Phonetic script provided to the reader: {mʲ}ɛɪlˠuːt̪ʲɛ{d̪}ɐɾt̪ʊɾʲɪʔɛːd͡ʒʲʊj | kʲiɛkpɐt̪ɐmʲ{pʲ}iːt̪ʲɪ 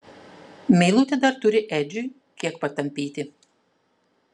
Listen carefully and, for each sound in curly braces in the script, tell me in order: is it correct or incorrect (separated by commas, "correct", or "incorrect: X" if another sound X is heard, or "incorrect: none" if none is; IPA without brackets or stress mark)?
correct, correct, correct